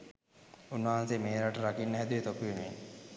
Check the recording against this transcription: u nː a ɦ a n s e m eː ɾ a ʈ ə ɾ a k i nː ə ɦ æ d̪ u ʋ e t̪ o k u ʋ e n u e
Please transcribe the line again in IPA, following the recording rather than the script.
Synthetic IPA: u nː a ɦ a n s e m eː ɾ a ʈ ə ɾ a k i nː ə ɦ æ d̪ u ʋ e t̪ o k u ʋ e n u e